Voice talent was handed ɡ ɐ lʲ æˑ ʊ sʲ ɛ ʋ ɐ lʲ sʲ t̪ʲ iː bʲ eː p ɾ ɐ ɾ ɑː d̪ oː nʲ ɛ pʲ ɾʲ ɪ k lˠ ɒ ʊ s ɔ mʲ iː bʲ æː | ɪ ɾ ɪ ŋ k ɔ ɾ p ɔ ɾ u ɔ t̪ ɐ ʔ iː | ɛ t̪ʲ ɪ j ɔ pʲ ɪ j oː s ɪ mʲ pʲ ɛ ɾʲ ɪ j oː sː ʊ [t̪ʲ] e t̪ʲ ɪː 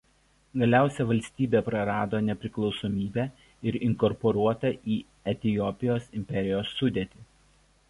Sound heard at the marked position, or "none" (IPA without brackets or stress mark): d̪ʲ